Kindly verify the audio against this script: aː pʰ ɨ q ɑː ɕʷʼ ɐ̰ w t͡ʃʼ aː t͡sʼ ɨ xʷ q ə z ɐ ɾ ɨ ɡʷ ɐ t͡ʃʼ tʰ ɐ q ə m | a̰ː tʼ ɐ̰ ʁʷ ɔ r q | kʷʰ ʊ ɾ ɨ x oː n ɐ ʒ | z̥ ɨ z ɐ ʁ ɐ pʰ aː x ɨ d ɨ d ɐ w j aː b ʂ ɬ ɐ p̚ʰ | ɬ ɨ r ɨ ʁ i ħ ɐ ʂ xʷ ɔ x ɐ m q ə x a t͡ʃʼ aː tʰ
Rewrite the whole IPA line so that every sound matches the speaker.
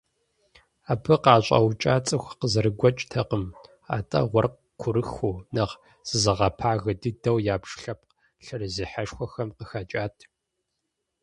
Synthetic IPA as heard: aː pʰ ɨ q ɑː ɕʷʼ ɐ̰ w t͡ʃʼ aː t͡sʼ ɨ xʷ q ə z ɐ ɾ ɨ ɡʷ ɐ t͡ʃʼ tʰ ɐ q ə m | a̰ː tʼ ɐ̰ ʁʷ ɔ r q | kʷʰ ʊ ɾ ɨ x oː n ɐ ʁ | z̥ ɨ z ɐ ʁ ɐ pʰ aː ɣ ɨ d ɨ d ɐ w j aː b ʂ ɬ ɐ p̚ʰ | ɬ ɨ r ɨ z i ħ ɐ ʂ xʷ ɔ x ɐ m q ə x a t͡ʃʼ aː tʰ